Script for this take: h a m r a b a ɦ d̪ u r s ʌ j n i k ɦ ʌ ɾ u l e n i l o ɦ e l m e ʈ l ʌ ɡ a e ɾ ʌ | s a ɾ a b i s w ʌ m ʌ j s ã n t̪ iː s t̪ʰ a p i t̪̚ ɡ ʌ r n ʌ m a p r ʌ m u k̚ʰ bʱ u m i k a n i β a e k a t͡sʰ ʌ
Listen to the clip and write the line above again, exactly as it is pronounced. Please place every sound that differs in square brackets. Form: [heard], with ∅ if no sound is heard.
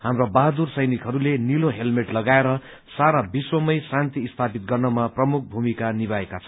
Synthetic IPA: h a m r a b a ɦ d̪ u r s ʌ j n i k ɦ ʌ ɾ u l e n i l o ɦ e l m e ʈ l ʌ ɡ a e ɾ ʌ | s a ɾ a b i s w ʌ m ʌ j s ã n t̪ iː s t̪ʰ a p i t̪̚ ɡ ʌ r n ʌ m a p r ʌ m u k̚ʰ bʱ u m i k a n i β a e k a t͡sʰ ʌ